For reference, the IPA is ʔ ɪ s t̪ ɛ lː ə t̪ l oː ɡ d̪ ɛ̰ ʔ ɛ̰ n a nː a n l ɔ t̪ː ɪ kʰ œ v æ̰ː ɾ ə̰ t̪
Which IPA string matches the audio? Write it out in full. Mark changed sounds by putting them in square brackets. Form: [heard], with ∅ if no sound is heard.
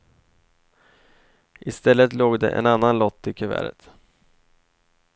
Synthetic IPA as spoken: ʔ ɪ s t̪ ɛ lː ə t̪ l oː ɡ d̪ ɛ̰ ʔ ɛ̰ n a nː a n l ɔ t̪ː ɪ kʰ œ v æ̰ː ɾ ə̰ t̪